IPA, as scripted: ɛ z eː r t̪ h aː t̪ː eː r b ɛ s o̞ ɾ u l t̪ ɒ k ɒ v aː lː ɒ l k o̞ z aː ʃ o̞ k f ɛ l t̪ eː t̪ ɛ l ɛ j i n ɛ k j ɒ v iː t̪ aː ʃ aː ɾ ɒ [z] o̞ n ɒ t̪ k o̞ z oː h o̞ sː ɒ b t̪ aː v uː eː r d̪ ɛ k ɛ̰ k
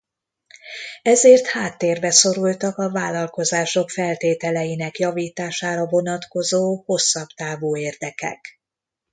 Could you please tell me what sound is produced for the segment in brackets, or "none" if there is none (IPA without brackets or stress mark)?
v